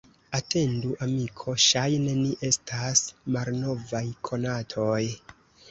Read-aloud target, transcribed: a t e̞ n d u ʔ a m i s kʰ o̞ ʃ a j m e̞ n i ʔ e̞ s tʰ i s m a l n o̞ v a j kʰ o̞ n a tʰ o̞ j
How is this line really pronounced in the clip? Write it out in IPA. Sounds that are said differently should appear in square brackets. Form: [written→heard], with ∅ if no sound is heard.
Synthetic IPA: a t e̞ n d u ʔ a m i [s→∅] kʰ o̞ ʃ a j [m→n] e̞ n i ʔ e̞ s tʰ [i→a] s m a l n o̞ v a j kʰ o̞ n a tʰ o̞ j